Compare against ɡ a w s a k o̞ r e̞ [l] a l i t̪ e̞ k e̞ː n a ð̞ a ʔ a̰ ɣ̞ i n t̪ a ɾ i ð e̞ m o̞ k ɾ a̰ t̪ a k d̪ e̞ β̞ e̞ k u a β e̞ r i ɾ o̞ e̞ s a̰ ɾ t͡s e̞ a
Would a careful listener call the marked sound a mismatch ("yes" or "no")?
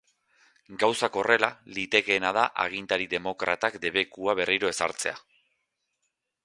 no